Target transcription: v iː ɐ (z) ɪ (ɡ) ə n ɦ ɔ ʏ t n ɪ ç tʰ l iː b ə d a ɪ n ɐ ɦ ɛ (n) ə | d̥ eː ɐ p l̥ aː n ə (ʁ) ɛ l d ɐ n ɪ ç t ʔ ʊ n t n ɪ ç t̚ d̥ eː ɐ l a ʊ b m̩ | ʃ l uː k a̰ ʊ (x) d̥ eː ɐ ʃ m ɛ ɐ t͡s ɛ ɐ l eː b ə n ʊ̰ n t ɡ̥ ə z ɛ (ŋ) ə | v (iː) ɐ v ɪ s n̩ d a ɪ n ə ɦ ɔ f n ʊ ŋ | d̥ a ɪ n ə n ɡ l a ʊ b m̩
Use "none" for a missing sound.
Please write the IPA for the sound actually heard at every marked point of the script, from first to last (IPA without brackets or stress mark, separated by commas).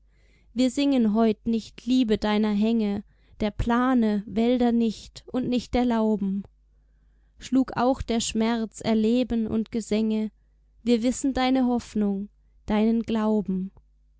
z, ŋ, ŋ, v, x, ŋ, iː